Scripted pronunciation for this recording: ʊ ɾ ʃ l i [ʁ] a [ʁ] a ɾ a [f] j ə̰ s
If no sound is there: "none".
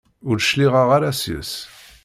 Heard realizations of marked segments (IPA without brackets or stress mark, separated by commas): ʁ, ʁ, s